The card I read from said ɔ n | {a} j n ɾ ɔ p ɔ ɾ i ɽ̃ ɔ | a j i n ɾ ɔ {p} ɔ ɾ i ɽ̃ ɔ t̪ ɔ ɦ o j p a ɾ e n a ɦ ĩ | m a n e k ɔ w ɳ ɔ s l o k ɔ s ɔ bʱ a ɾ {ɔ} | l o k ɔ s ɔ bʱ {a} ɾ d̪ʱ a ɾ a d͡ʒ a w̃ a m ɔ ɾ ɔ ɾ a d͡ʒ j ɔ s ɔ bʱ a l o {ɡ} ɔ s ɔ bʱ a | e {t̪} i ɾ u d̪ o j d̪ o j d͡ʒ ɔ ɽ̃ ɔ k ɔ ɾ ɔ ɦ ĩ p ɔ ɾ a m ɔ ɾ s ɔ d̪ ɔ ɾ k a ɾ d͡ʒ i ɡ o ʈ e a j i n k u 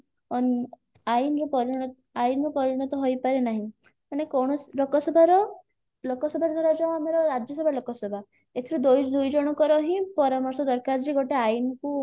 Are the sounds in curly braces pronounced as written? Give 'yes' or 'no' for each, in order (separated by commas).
yes, yes, yes, yes, no, no